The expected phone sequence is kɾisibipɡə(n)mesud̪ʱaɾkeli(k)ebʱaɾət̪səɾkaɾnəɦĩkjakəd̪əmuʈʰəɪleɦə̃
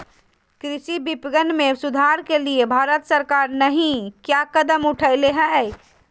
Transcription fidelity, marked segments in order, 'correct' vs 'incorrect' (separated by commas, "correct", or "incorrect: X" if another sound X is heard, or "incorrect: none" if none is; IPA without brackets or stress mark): correct, incorrect: none